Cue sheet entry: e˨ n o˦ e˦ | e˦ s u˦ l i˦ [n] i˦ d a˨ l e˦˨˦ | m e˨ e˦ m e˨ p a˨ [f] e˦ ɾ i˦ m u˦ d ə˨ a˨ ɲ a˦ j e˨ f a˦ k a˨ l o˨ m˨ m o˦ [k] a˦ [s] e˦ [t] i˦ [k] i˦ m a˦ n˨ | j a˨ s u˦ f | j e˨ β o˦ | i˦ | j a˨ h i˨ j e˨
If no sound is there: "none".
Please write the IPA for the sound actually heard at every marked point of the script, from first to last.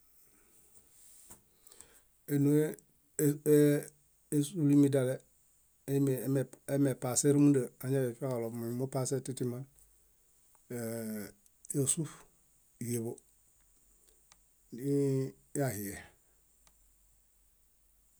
m, s, p, s, t, t

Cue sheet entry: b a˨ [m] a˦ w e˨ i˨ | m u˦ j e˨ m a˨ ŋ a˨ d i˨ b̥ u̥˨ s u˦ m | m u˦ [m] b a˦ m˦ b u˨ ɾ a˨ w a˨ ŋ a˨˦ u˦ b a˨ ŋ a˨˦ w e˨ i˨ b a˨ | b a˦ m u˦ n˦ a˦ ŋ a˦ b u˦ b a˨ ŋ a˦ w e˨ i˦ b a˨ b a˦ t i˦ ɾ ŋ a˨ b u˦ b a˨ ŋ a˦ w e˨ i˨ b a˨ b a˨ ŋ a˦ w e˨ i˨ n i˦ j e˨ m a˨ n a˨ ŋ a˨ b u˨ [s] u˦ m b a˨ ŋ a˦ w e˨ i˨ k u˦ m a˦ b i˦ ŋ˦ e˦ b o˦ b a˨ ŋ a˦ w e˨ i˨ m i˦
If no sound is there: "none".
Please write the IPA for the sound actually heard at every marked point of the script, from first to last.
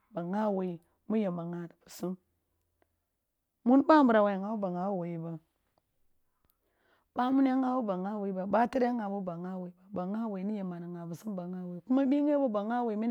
ŋ, n, s

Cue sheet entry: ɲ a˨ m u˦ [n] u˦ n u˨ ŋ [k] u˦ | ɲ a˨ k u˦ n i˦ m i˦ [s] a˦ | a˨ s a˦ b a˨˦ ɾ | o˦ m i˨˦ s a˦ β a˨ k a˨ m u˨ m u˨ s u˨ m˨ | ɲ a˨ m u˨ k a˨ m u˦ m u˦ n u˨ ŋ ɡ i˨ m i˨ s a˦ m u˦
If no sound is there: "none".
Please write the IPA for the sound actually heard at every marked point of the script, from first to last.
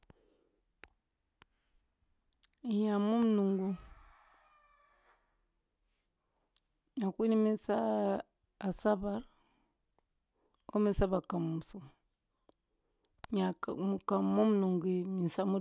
m, ɡ, s

